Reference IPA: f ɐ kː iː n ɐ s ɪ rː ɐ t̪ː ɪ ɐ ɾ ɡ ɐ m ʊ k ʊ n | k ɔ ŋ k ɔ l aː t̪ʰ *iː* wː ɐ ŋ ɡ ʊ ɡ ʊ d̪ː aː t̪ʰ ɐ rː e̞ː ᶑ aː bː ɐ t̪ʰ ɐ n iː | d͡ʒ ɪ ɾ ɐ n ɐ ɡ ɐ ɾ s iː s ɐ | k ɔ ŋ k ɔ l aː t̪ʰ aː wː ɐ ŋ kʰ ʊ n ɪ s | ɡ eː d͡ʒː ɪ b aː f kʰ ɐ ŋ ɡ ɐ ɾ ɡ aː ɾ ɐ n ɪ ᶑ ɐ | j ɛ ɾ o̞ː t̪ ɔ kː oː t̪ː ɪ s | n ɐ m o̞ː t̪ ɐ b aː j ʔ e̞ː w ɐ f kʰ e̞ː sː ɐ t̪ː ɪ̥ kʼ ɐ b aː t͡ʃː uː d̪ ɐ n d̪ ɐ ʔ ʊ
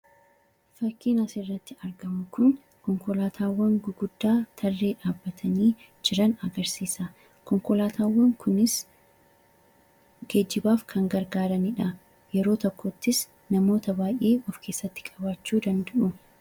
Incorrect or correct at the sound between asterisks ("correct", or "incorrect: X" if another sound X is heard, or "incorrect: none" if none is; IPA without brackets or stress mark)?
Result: incorrect: aː